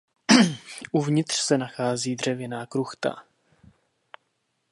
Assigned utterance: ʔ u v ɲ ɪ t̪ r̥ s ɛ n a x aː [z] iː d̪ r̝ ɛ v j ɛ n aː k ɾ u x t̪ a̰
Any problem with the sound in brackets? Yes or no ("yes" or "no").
no